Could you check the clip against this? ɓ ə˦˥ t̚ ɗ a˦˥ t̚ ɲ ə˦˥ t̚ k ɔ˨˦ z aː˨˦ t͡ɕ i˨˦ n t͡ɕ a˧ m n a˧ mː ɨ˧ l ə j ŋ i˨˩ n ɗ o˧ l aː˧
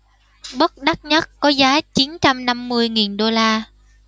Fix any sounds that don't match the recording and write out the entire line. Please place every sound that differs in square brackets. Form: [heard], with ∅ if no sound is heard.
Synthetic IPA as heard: ɓ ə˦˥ t̚ ɗ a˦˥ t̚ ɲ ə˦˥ t̚ k ɔ˨˦ z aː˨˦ t͡ɕ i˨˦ n t͡ɕ a˧ m n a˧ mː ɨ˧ [∅] ə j ŋ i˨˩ n ɗ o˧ l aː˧